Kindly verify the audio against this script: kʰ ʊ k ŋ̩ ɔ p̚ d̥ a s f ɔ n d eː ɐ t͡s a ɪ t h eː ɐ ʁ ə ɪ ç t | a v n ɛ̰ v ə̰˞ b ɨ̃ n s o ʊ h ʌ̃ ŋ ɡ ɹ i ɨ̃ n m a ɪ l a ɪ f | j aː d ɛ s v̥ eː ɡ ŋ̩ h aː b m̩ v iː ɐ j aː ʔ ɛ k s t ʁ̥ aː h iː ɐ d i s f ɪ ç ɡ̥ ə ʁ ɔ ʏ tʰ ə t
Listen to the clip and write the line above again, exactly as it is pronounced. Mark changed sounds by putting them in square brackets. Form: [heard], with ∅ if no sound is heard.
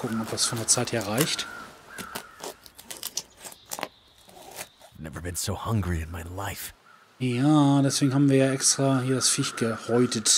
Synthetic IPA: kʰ ʊ k ŋ̩ ɔ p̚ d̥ a s f ɔ n d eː ɐ t͡s a ɪ t h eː ɐ ʁ [a] ɪ ç t | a v n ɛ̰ v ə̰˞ b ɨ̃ n s o ʊ h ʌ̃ ŋ ɡ ɹ i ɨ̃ n m a ɪ l a ɪ f | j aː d ɛ s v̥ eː ɡ ŋ̩ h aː b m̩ v iː ɐ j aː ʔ ɛ k s t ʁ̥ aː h iː ɐ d [a] s f ɪ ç ɡ̥ ə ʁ ɔ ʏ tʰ ə t